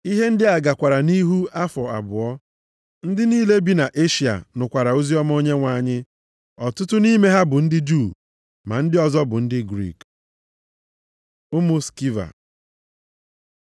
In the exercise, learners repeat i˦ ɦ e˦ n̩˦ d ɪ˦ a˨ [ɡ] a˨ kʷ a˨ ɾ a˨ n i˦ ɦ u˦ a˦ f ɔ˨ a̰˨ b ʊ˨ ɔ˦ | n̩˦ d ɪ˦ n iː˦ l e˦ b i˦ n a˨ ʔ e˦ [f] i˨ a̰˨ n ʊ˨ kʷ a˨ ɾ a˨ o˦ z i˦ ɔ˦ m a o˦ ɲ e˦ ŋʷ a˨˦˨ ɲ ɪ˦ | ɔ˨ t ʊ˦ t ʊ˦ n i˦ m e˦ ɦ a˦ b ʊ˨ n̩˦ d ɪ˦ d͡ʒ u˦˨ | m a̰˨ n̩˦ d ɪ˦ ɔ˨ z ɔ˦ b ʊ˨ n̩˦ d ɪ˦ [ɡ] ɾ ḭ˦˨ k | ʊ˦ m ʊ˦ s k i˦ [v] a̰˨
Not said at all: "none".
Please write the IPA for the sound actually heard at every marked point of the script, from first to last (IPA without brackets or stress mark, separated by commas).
ɡ, ʃ, ɡ, v